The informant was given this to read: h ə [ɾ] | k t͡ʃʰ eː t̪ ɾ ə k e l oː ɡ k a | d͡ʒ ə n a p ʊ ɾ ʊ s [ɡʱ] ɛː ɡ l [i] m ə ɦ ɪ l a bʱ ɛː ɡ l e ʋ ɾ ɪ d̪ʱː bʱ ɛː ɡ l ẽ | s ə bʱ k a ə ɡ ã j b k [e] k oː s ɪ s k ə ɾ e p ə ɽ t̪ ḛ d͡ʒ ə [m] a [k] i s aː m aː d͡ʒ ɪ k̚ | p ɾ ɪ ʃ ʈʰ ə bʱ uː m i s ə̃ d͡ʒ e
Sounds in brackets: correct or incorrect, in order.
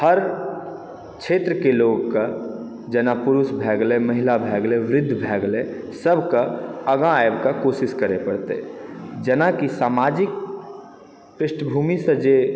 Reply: correct, incorrect, incorrect, incorrect, incorrect, correct

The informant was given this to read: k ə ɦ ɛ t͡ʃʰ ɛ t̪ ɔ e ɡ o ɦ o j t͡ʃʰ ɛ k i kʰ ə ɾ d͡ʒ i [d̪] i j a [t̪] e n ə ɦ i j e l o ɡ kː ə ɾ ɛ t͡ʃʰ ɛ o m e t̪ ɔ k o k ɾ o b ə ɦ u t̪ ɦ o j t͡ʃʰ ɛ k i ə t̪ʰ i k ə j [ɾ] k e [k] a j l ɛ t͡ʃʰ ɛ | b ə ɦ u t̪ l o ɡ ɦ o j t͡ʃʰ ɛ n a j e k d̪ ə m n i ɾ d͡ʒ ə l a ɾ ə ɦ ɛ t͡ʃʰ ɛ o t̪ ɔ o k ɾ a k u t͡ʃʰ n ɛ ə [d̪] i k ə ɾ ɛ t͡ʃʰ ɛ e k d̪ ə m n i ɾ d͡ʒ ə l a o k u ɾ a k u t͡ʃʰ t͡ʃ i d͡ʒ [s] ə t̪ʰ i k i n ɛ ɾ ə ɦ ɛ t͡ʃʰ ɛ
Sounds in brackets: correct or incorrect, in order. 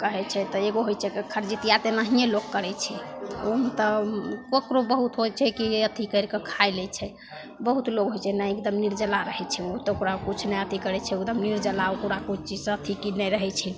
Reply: incorrect, correct, correct, incorrect, incorrect, correct

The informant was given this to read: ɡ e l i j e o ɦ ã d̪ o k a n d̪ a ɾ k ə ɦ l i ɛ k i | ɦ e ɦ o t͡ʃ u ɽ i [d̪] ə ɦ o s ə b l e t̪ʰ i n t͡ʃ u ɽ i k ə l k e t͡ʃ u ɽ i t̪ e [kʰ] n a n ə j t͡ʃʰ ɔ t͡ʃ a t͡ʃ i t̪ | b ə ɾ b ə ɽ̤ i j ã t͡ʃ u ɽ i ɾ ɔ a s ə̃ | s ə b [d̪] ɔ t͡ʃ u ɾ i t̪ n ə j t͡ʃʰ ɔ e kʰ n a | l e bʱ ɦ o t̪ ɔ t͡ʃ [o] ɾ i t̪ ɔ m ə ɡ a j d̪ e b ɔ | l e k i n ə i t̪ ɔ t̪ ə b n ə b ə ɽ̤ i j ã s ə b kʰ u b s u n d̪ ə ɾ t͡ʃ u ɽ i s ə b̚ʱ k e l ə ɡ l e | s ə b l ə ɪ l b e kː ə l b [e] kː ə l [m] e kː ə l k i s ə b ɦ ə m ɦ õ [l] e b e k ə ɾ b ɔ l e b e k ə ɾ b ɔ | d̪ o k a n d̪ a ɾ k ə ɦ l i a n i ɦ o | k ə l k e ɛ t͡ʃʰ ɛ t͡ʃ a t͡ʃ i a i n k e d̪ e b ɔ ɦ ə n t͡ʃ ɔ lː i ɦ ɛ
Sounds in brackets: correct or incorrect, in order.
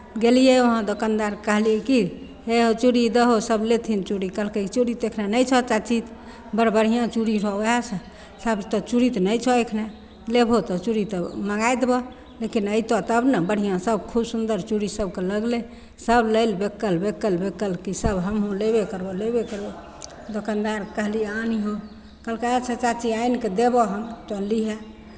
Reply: correct, correct, incorrect, incorrect, correct, incorrect, correct

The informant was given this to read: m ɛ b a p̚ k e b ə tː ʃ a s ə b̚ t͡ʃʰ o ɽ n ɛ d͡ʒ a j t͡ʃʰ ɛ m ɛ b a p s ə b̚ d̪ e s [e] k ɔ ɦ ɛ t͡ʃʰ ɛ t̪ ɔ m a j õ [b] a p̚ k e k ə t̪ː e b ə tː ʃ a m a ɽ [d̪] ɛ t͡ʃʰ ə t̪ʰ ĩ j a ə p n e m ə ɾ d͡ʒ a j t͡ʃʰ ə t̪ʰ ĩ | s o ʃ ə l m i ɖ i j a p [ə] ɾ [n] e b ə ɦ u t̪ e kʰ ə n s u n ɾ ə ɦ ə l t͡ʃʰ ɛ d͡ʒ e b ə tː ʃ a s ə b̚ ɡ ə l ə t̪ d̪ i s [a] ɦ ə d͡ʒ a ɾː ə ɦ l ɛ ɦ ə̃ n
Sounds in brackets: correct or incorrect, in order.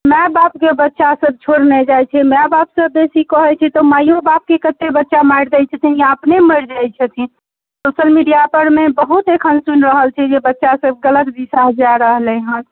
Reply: incorrect, correct, correct, correct, incorrect, correct

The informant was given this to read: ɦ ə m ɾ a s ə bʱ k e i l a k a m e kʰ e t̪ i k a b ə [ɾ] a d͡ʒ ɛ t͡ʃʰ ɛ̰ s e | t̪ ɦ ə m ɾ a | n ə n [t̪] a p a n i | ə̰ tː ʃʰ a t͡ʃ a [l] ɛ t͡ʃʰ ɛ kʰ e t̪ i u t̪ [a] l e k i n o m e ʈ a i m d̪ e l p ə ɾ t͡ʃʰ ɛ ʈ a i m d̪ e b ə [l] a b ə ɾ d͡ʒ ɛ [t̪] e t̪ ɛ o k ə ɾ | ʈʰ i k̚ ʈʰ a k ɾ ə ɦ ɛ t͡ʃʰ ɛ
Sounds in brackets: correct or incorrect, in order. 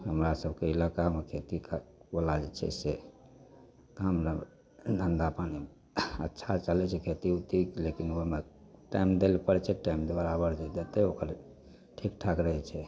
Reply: incorrect, incorrect, correct, incorrect, incorrect, incorrect

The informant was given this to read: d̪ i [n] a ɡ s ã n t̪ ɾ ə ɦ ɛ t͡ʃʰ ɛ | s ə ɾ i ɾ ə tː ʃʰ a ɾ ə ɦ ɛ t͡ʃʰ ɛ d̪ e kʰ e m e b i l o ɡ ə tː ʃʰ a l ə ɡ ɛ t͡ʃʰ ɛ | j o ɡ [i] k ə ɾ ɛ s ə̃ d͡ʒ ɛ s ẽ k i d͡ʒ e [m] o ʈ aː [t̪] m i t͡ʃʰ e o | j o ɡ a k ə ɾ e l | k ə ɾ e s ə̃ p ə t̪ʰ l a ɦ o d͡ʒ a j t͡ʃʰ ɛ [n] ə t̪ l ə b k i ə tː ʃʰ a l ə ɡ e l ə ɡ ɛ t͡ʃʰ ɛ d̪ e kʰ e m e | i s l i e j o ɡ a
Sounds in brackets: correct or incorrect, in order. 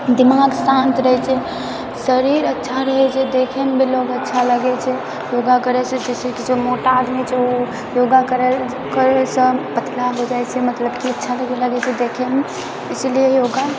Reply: incorrect, incorrect, correct, incorrect, incorrect

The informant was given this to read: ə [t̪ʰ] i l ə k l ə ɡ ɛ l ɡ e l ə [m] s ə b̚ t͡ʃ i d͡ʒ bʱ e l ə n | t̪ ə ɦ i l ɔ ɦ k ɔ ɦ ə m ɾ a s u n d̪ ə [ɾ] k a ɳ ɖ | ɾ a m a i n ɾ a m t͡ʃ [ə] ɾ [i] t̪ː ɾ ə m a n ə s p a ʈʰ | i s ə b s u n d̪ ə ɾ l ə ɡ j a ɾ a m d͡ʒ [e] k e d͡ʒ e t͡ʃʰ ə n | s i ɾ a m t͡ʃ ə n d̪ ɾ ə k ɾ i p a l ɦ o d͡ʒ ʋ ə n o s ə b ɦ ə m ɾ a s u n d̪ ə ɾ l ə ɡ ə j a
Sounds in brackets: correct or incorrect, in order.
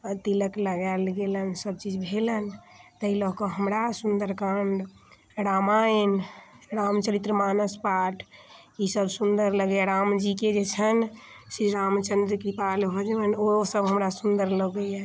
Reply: incorrect, incorrect, correct, correct, correct, incorrect

